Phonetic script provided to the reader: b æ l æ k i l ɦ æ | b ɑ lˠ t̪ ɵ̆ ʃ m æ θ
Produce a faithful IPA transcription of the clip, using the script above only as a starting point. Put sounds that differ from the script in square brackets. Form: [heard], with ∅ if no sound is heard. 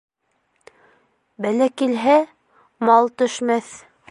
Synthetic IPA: b æ l æ k i l ɦ æ | [m] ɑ lˠ t̪ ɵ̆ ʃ m æ θ